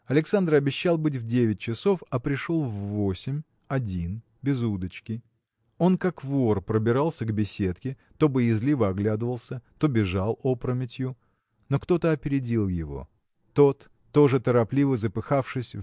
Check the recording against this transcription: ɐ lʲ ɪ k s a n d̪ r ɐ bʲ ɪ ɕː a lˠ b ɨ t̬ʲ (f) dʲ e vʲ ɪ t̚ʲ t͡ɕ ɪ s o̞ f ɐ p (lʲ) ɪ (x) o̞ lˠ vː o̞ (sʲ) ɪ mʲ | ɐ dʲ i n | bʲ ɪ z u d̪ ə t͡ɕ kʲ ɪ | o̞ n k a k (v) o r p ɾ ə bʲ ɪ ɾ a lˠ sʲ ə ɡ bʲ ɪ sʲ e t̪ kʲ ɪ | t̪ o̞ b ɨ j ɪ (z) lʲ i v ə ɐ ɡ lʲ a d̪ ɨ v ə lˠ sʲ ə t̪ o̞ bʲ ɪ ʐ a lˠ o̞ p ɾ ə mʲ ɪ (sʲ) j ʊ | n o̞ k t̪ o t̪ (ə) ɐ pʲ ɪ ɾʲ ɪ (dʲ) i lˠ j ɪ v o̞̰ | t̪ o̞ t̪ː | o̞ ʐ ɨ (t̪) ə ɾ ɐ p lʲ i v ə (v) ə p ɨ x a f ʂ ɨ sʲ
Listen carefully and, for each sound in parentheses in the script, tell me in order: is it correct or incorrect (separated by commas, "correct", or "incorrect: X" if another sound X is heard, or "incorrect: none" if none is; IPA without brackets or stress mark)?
incorrect: v, incorrect: ɾʲ, incorrect: ʂ, correct, correct, correct, incorrect: tʲ, correct, correct, correct, incorrect: z